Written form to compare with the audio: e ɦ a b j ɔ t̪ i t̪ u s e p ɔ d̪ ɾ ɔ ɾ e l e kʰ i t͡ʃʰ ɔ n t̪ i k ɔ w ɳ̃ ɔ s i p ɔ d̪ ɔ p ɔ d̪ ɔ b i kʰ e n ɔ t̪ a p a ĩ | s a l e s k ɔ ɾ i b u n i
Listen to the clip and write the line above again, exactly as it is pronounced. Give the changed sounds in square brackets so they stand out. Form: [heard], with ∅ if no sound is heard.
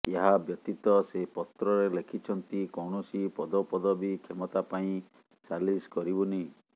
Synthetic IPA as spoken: e ɦ a b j ɔ t̪ i t̪ [ɔ] s e p ɔ [t̪] ɾ ɔ ɾ e l e kʰ i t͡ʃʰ ɔ n t̪ i k ɔ w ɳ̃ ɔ s i p ɔ d̪ ɔ p ɔ d̪ ɔ b i kʰ e [m] ɔ t̪ a p a ĩ | s a l [i] s k ɔ ɾ i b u n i

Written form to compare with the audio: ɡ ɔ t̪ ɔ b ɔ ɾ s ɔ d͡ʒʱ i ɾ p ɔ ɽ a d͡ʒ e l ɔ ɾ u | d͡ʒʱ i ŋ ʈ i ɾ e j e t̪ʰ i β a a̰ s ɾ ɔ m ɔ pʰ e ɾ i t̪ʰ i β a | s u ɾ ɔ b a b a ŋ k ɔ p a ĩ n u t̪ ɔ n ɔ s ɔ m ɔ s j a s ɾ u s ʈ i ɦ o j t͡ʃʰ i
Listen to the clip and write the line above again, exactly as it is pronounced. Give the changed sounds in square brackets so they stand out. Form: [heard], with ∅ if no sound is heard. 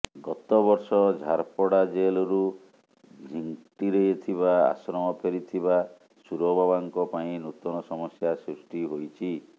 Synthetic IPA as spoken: ɡ ɔ t̪ ɔ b ɔ ɾ s ɔ d͡ʒʱ [a] ɾ p ɔ ɽ a d͡ʒ e l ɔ ɾ u | d͡ʒʱ i ŋ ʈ i ɾ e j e t̪ʰ i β a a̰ s ɾ ɔ m ɔ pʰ e ɾ i t̪ʰ i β a | s u ɾ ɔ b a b a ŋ k ɔ p a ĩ n u t̪ ɔ n ɔ s ɔ m ɔ s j a s ɾ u s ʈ i ɦ o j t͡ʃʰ i

